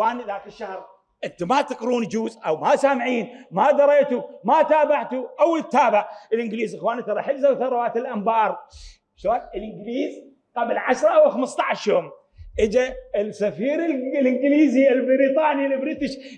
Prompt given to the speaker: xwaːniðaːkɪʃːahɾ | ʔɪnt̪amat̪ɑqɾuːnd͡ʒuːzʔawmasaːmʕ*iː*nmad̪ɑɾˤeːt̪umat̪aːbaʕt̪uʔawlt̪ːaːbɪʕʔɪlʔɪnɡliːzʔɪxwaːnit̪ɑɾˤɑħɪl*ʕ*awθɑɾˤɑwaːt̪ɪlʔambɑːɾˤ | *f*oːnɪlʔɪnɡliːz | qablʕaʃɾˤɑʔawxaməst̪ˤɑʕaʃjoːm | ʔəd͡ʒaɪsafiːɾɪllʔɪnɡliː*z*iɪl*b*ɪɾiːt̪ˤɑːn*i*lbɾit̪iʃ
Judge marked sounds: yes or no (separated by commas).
yes, no, no, yes, yes, yes